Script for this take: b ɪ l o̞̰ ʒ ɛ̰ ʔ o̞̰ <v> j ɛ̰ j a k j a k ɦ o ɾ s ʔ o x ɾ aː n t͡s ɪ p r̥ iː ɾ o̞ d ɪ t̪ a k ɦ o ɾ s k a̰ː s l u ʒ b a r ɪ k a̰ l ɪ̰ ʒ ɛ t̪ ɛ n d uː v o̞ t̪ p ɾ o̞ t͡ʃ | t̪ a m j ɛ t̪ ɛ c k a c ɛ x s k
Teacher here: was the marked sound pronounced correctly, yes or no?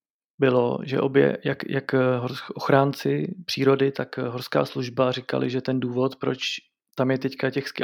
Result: no